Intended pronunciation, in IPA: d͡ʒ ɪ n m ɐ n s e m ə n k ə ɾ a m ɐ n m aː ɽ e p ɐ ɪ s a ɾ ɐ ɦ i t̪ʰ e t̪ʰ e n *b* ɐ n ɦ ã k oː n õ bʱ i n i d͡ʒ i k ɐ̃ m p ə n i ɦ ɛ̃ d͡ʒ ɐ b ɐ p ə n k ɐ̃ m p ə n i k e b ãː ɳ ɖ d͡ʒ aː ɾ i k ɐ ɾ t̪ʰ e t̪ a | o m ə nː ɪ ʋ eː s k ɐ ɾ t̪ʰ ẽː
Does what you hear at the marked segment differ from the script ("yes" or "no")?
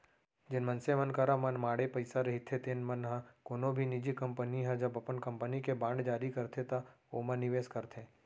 yes